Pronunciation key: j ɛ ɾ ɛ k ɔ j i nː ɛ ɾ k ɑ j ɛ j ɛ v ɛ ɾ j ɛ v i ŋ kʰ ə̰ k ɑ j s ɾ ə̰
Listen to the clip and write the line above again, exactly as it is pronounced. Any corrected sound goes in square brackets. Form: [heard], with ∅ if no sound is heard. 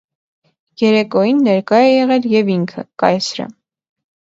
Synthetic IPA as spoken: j ɛ ɾ ɛ k ɔ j i nː ɛ ɾ k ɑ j ɛ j ɛ [ʁ] ɛ [l] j ɛ v i ŋ kʰ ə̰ k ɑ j s ɾ ə̰

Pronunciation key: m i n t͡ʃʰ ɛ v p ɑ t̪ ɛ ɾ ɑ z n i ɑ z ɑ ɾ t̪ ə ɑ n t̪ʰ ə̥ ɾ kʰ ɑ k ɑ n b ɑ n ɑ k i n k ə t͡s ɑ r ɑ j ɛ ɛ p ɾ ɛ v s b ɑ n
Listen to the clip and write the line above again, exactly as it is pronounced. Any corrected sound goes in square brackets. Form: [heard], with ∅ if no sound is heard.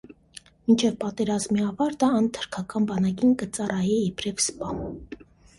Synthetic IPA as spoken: m i n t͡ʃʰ ɛ v p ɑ t̪ ɛ ɾ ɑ z [m] i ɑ [v] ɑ ɾ t̪ ə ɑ n t̪ʰ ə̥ ɾ kʰ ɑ k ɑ n b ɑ n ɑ k i n k ə t͡s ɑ r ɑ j ɛ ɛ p ɾ ɛ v s [p] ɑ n

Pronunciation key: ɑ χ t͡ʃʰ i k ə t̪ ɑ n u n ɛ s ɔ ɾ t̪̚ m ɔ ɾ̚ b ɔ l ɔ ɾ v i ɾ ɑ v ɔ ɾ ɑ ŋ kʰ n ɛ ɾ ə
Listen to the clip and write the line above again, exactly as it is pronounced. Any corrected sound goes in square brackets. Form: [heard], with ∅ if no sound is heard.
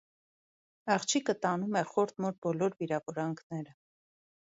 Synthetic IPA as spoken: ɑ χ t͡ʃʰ i k ə t̪ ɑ n u [m] ɛ [χ] ɔ ɾ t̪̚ m ɔ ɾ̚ b ɔ l ɔ ɾ v i ɾ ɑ v ɔ ɾ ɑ ŋ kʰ n ɛ ɾ ə

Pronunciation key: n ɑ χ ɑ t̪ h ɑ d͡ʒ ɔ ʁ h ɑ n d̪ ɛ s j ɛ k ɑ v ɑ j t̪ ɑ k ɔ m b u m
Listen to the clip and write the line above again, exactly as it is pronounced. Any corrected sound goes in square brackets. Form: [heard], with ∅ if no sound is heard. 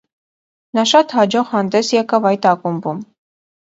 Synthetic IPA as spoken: n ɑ [ʃ] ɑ t̪ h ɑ d͡ʒ ɔ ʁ h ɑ n d̪ ɛ s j ɛ k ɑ v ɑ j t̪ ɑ k [u] m b u m

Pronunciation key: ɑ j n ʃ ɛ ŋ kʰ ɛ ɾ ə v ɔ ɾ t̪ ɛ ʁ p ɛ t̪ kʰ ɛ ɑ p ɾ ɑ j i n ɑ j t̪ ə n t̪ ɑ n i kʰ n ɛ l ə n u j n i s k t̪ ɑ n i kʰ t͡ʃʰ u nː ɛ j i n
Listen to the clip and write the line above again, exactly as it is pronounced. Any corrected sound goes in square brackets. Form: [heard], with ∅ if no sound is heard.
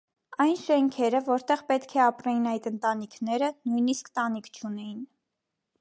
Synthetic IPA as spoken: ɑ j n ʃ ɛ ŋ kʰ ɛ ɾ ə v ɔ ɾ t̪ ɛ ʁ p ɛ t̪ kʰ ɛ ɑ p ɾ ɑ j i n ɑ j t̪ ə n t̪ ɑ n i kʰ n ɛ [ɾ] ə n u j n i s k t̪ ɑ n i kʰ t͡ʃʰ u [n] ɛ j i n

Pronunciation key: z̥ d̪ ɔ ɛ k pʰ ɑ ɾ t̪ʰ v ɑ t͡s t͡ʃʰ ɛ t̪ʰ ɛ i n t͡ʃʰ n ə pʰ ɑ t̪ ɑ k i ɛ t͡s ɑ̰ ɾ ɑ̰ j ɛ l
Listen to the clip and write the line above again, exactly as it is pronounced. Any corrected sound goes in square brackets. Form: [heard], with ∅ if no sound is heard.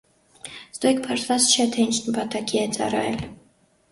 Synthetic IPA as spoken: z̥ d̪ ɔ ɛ k pʰ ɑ ɾ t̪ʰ v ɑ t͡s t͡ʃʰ ɛ t̪ʰ ɛ i n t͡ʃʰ n ə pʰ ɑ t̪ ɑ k i ɛ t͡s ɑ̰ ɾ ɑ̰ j ɛ l

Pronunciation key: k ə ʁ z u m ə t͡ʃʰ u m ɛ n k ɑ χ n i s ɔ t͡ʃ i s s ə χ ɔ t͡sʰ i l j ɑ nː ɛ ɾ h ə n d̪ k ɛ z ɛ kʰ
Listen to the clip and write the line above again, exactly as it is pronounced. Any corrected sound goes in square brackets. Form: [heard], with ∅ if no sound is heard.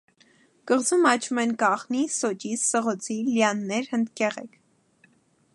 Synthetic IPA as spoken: k ə ʁ z u m [ɑ] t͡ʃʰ u m ɛ n k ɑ χ n i s ɔ t͡ʃ i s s ə [ʁ] ɔ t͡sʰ i l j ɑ nː ɛ ɾ h ə n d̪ k ɛ [ʁ] ɛ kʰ

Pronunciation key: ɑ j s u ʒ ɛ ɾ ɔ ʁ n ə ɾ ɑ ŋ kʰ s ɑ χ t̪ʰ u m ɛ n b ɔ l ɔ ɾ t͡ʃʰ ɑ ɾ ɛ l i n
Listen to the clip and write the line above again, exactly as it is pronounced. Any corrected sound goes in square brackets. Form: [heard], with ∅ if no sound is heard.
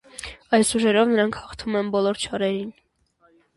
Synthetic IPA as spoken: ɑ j s u ʒ ɛ ɾ ɔ [v] n ə ɾ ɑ ŋ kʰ [h] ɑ χ t̪ʰ u m ɛ n b ɔ l ɔ ɾ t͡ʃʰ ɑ ɾ ɛ [ɾ] i n

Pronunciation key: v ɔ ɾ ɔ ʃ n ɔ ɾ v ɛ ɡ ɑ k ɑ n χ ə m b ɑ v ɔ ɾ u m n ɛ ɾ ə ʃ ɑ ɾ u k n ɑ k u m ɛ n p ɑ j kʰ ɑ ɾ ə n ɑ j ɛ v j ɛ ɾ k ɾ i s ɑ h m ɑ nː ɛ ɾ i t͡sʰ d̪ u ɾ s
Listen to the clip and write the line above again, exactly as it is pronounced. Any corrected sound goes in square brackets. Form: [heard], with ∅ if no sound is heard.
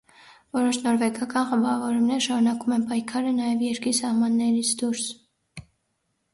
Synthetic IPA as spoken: v ɔ ɾ ɔ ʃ n ɔ ɾ v ɛ ɡ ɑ k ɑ n χ ə m b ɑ v ɔ ɾ u m n ɛ ɾ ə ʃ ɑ ɾ u [∅] n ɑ k u m ɛ n p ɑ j kʰ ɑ ɾ ə n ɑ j ɛ v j ɛ ɾ k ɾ i s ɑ h m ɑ nː ɛ ɾ i t͡sʰ d̪ u ɾ s

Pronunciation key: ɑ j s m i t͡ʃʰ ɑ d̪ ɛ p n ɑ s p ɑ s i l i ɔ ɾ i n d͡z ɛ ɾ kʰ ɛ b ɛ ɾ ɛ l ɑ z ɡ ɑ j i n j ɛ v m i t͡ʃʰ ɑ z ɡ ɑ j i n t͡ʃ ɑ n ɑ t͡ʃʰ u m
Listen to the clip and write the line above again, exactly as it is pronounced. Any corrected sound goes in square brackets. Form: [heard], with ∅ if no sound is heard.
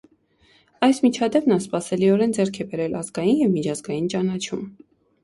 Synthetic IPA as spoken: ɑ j s m i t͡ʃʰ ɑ d̪ ɛ p n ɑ s p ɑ s [ɛ] l i ɔ ɾ [ɛ] n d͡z ɛ ɾ kʰ ɛ b ɛ ɾ ɛ l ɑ z ɡ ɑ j i n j ɛ v m i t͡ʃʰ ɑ z ɡ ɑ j i n t͡ʃ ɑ n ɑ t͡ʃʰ u m

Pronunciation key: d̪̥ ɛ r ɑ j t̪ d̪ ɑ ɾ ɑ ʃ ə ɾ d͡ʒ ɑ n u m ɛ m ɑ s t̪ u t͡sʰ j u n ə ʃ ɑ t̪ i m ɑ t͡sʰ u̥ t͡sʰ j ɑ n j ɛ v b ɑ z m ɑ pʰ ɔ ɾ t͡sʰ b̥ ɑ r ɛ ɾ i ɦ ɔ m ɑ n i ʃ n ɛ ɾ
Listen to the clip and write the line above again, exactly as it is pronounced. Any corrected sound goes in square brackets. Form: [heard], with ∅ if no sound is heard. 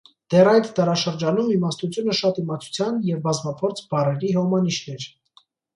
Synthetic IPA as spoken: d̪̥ ɛ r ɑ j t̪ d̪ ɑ ɾ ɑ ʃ ə ɾ d͡ʒ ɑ n u m [i] m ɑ s t̪ u t͡sʰ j u n ə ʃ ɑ t̪ i m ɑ t͡sʰ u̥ t͡sʰ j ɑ n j ɛ v b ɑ z m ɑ pʰ ɔ ɾ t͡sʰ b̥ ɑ r ɛ ɾ i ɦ ɔ m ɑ n i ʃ n ɛ ɾ

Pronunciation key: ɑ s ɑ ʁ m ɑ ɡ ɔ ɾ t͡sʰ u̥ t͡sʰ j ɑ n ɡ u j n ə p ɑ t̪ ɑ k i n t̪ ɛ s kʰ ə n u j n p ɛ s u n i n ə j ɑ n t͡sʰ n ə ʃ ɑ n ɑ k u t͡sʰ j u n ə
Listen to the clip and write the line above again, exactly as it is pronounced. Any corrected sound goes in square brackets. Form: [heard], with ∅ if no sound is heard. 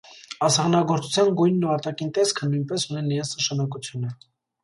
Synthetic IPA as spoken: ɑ s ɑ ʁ [n] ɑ ɡ ɔ ɾ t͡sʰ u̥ t͡sʰ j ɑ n ɡ u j [nː] ə p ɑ t̪ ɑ k i n t̪ ɛ s kʰ ə n u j n p ɛ s u n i n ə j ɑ n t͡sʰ n ə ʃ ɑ n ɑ k u t͡sʰ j u n ə

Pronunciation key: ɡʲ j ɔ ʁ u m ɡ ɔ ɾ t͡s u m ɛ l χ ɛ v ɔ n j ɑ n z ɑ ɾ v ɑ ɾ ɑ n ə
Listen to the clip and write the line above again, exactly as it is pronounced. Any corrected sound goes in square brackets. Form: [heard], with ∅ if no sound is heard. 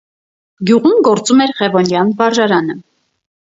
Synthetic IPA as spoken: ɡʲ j [u] ʁ u m ɡ ɔ ɾ t͡s u m ɛ [ɾ] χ ɛ v ɔ n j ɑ n [v] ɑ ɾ [ʒ] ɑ ɾ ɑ n ə

